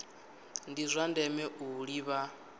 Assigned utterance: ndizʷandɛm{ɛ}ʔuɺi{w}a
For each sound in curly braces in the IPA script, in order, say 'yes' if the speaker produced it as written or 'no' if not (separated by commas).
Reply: yes, no